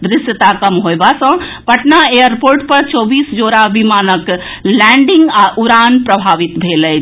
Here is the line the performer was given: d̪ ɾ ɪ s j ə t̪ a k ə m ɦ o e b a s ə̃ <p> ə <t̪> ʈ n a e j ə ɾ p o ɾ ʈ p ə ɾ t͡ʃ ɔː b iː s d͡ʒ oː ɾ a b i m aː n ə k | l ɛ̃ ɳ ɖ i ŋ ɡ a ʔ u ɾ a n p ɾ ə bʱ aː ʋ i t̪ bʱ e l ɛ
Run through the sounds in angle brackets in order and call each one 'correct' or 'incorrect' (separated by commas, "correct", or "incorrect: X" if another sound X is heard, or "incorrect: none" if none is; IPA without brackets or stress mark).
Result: correct, incorrect: none